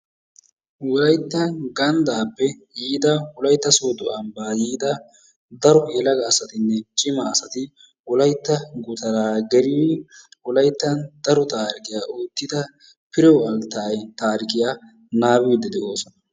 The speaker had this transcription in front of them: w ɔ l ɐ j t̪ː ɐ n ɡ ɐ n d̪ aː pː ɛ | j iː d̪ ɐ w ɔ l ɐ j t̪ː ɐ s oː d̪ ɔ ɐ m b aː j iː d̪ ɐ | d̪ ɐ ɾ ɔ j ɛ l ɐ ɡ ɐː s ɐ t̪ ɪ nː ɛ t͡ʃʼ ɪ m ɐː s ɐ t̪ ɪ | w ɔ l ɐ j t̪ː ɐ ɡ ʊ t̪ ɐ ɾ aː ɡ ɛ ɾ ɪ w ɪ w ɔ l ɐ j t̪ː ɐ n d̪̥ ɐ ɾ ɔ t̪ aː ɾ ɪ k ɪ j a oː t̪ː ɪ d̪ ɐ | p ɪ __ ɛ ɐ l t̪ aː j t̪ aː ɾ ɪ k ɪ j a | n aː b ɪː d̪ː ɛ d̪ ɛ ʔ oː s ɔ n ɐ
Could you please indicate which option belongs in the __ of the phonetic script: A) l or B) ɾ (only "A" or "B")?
B